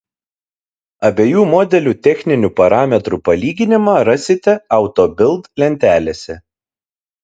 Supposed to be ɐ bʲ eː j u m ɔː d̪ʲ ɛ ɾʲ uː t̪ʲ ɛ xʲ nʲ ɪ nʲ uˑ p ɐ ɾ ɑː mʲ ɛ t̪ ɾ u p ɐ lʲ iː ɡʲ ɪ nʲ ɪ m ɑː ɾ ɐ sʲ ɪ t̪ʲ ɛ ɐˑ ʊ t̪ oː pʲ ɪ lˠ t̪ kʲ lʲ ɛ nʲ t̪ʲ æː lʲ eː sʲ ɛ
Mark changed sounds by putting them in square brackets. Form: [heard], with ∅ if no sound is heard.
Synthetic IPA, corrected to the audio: ɐ bʲ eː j [uː] m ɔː d̪ʲ ɛ [lʲ] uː t̪ʲ ɛ xʲ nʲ ɪ nʲ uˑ p ɐ ɾ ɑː mʲ ɛ t̪ ɾ u p ɐ lʲ iː ɡʲ ɪ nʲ ɪ m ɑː ɾ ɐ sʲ ɪ t̪ʲ ɛ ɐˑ ʊ t̪ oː [bʲ] ɪ lˠ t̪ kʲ lʲ ɛ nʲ t̪ʲ æː lʲ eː sʲ ɛ